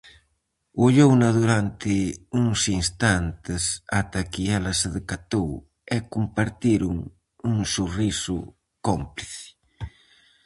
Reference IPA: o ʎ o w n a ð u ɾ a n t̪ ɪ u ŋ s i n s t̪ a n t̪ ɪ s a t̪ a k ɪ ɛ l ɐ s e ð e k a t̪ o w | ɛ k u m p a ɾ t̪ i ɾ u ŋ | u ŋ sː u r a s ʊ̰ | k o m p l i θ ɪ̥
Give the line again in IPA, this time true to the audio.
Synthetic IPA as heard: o ʎ o w n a ð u ɾ a n t̪ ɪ u ŋ s i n s t̪ a n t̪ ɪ s a t̪ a k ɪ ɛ l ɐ s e ð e k a t̪ o w | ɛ k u m p a ɾ t̪ i ɾ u ŋ | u ŋ s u r i s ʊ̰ | k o m p l i θ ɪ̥